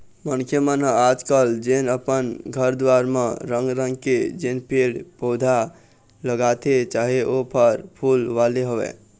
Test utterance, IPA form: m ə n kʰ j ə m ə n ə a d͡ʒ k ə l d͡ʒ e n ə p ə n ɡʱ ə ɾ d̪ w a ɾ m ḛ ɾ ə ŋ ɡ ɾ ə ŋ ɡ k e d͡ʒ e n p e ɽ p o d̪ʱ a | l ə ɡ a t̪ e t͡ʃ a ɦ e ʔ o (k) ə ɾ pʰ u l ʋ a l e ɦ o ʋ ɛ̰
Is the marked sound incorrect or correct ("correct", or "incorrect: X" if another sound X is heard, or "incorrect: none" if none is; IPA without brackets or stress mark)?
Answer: incorrect: p